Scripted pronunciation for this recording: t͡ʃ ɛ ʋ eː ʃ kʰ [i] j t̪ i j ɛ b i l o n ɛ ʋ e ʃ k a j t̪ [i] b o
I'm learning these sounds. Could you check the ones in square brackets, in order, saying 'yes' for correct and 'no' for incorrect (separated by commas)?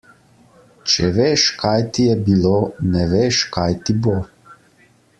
no, yes